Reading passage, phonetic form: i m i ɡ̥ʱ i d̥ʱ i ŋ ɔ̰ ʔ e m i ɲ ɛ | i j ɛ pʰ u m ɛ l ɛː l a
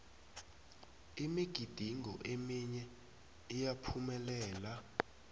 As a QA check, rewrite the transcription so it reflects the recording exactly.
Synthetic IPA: i m i ɡ̥ʱ i d̥ʱ i ŋ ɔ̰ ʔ e m i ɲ ɛ | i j a pʰ u m ɛ l ɛː l a